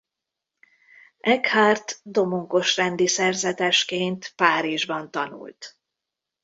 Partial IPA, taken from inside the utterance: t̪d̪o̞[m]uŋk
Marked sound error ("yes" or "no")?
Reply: no